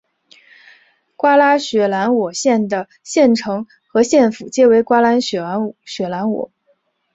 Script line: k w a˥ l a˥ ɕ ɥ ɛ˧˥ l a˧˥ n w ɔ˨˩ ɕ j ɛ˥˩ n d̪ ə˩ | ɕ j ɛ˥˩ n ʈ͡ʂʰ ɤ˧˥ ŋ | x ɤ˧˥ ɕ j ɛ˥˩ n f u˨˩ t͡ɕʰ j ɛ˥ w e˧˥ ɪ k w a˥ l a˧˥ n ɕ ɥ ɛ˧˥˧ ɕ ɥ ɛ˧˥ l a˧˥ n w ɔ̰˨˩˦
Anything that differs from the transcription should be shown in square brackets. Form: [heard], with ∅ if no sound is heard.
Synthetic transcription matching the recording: k w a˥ l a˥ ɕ ɥ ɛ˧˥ l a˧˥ n w ɔ˨˩ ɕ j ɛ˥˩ n d̪ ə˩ | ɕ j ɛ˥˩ n ʈ͡ʂʰ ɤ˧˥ ŋ | x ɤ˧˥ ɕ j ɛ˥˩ n f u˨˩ [t͡ɕ] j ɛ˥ w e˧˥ ɪ k w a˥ l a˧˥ n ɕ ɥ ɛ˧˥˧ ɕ ɥ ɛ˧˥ l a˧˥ n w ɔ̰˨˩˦

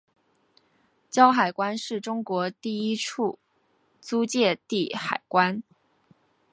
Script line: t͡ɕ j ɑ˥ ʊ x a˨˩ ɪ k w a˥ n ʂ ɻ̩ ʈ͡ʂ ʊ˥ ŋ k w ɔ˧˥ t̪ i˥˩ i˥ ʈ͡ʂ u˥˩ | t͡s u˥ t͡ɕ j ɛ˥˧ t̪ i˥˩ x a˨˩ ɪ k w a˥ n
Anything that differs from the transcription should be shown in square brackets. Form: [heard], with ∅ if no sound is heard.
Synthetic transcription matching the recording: t͡ɕ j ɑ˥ ʊ x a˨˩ ɪ k w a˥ n ʂ ɻ̩ ʈ͡ʂ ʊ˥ ŋ k w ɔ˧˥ t̪ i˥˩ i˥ [ʈ͡ʂʰ] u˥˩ | t͡s u˥ t͡ɕ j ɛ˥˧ t̪ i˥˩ x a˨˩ ɪ k w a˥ n

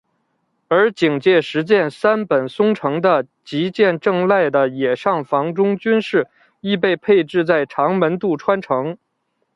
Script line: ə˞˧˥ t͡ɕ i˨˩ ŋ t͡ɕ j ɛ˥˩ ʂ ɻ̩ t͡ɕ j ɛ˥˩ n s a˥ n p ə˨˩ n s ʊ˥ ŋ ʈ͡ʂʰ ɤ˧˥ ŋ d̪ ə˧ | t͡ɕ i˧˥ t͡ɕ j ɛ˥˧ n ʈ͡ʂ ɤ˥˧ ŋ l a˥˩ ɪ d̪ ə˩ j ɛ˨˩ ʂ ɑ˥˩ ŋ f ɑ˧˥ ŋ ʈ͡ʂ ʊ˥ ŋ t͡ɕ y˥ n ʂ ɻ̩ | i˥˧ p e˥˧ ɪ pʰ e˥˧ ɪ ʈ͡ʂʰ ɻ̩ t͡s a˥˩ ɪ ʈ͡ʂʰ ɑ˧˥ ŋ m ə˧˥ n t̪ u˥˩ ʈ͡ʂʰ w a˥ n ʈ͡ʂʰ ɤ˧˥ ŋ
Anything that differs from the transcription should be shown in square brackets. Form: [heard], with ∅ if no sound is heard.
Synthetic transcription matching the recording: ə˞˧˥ t͡ɕ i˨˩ ŋ t͡ɕ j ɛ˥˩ ʂ ɻ̩ t͡ɕ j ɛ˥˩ n s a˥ n p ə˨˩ n s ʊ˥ ŋ ʈ͡ʂʰ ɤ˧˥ ŋ d̪ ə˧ | t͡ɕ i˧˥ t͡ɕ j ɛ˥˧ n ʈ͡ʂ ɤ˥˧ ŋ l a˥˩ ɪ d̪ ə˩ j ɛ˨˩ ʂ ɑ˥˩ ŋ f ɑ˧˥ ŋ ʈ͡ʂ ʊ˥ ŋ t͡ɕ y˥ n ʂ ɻ̩ | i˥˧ p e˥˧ ɪ pʰ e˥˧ ɪ [ʈ͡ʂ] ɻ̩ t͡s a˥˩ ɪ ʈ͡ʂʰ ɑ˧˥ ŋ m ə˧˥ n t̪ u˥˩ ʈ͡ʂʰ w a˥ n ʈ͡ʂʰ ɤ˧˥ ŋ

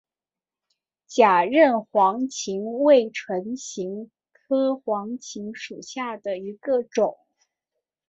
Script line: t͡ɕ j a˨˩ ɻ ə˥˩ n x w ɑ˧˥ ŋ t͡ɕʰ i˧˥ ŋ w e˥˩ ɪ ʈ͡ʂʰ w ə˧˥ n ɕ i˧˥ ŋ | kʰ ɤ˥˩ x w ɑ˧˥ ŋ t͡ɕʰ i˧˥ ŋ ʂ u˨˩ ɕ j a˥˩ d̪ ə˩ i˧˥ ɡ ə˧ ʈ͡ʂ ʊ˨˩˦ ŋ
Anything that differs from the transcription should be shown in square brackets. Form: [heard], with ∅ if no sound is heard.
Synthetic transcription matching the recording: t͡ɕ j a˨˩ ɻ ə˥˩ n x w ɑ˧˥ ŋ t͡ɕʰ i˧˥ ŋ w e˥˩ ɪ ʈ͡ʂʰ w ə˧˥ n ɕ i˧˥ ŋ | kʰ [ɤ˥] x w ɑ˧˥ ŋ t͡ɕʰ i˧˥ ŋ ʂ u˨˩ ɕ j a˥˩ d̪ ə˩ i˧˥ ɡ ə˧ ʈ͡ʂ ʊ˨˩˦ ŋ

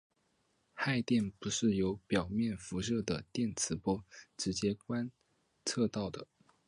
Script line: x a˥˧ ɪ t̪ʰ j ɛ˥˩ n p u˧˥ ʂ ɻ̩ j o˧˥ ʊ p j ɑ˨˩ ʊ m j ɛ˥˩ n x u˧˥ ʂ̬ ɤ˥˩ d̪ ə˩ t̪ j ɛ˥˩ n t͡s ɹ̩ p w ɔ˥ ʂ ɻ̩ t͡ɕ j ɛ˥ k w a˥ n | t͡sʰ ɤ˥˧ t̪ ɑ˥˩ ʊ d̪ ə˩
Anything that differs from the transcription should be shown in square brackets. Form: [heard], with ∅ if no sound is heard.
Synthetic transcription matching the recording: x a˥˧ ɪ [t̪] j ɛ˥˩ n p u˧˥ ʂ ɻ̩ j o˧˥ ʊ p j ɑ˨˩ ʊ m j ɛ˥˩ n [f] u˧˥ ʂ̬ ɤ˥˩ d̪ ə˩ t̪ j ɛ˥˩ n [t͡sʰ] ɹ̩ p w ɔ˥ [ʈ͡ʂ] ɻ̩ t͡ɕ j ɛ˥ k w a˥ n | t͡sʰ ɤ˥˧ t̪ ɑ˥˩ ʊ d̪ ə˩

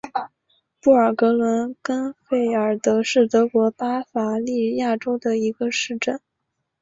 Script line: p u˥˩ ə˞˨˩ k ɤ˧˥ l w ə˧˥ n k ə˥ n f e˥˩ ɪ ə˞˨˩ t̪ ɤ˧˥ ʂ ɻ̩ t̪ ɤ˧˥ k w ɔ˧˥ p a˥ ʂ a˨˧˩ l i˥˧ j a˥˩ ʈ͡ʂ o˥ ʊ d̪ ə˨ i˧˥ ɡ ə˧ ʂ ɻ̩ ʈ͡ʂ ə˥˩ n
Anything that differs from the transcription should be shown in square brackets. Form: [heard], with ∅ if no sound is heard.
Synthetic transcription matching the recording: p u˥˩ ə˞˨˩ k ɤ˧˥ l w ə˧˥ n k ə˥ n f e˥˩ ɪ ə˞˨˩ t̪ ɤ˧˥ ʂ ɻ̩ t̪ ɤ˧˥ k w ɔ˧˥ p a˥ [f] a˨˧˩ l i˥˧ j a˥˩ ʈ͡ʂ o˥ ʊ d̪ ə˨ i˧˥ ɡ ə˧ ʂ ɻ̩ ʈ͡ʂ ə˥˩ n

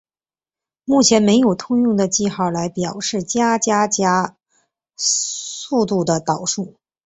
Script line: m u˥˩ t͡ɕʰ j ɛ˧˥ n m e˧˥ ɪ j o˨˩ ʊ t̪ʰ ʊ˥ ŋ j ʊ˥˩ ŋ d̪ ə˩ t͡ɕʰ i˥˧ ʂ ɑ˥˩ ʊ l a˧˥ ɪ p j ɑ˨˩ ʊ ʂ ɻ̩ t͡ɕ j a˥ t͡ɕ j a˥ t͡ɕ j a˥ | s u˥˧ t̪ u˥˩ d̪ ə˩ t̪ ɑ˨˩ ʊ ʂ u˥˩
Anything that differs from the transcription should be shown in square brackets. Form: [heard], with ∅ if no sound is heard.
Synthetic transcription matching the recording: m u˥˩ t͡ɕʰ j ɛ˧˥ n m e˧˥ ɪ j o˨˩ ʊ t̪ʰ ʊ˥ ŋ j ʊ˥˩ ŋ d̪ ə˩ [t͡ɕ] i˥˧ [x] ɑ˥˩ ʊ l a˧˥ ɪ p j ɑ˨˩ ʊ ʂ ɻ̩ t͡ɕ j a˥ t͡ɕ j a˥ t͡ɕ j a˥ | s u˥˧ t̪ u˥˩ d̪ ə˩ t̪ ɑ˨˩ ʊ ʂ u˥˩

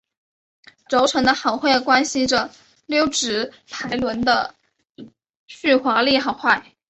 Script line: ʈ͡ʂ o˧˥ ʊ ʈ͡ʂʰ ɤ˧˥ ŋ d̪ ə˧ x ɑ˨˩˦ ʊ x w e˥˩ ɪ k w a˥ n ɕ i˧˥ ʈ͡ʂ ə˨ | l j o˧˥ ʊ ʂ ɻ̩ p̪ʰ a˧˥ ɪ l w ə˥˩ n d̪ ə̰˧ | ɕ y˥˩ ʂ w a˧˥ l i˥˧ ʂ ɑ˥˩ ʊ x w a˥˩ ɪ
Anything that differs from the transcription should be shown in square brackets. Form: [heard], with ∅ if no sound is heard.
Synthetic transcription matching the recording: ʈ͡ʂ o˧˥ ʊ ʈ͡ʂʰ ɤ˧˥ ŋ d̪ ə˧ x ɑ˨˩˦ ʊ x w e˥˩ ɪ k w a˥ n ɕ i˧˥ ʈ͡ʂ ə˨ | l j [o˥] ʊ [ʈ͡ʂ] ɻ̩ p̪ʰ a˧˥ ɪ l w [ə˧˥] n d̪ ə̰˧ | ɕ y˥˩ [x] w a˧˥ l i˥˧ [x] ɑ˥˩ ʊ x w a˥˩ ɪ

